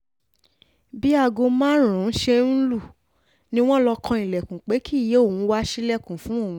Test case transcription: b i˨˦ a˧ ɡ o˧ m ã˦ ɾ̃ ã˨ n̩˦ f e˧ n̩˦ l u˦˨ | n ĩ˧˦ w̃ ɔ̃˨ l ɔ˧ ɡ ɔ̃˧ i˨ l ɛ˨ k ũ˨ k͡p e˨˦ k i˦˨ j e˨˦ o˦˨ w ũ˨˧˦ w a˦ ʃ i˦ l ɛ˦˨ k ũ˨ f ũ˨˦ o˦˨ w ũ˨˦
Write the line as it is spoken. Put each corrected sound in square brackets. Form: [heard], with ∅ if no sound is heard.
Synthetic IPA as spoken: b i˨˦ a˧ ɡ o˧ m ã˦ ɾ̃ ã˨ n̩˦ [ʃ] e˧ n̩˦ l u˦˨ | n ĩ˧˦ w̃ [ɔ̃˦] l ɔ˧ [k] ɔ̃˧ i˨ l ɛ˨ k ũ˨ k͡p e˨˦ k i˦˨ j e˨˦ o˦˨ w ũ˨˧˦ w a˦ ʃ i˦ l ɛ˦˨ k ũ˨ f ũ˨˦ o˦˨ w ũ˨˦